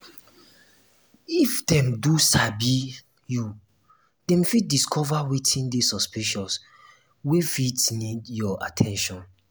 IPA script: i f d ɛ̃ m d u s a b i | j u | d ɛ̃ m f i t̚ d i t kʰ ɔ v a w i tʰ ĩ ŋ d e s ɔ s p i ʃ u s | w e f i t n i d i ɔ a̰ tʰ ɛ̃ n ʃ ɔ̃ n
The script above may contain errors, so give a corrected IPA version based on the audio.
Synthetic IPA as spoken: i f d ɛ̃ m d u s a b i | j u | d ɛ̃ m f i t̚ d i s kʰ ɔ v a w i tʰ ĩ n d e s ɔ s p i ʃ ɔ s | w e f i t n i d j ɔ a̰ tʰ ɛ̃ n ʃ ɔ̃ n